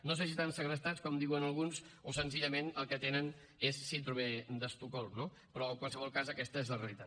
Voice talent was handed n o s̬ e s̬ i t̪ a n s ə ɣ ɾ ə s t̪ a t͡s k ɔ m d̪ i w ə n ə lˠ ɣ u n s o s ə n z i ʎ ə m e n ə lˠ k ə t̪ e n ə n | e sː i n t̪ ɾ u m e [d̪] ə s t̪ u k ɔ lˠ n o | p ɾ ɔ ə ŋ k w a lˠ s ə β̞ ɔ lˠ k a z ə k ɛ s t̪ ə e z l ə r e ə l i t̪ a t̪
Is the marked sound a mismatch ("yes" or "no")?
no